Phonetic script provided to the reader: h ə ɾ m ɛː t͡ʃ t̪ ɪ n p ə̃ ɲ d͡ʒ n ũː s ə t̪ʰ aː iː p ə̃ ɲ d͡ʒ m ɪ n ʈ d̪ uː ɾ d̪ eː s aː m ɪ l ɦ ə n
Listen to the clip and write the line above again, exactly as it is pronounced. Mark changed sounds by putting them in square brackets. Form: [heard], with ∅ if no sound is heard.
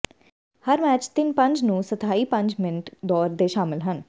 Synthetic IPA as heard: h ə ɾ m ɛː t͡ʃ t̪ ɪ n p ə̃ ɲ d͡ʒ n ũː s ə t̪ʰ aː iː p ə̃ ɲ d͡ʒ m ɪ n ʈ d̪ [ɔː] ɾ d̪ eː [ʃ] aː m ɪ l ɦ ə n